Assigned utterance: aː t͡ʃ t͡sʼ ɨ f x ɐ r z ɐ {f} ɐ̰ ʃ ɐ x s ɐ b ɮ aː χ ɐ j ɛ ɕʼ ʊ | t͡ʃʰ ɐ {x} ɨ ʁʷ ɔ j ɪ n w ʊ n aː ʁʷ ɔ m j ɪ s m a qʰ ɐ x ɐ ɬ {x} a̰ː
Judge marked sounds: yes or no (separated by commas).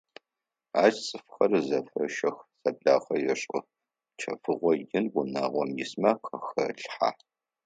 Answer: yes, no, no